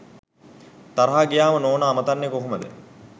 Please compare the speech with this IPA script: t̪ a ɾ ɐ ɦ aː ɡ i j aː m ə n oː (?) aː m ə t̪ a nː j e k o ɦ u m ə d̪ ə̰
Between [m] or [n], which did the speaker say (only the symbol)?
n